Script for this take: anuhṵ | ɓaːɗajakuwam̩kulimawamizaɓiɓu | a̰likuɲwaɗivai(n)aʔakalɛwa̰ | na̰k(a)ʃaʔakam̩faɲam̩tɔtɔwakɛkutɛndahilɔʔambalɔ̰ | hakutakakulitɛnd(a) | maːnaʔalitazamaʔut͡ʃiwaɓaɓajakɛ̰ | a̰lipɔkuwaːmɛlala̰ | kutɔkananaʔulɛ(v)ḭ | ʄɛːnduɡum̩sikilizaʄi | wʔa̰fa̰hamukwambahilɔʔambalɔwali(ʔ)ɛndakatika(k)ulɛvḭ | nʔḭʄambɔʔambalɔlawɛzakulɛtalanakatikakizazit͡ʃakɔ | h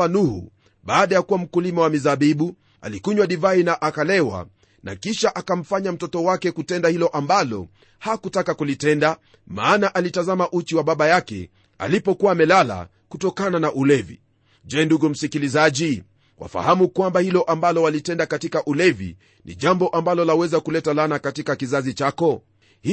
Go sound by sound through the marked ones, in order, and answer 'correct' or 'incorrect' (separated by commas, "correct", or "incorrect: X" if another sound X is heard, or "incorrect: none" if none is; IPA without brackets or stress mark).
correct, incorrect: i, correct, correct, incorrect: t, incorrect: ʔ